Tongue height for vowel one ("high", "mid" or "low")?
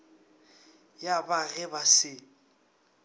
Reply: low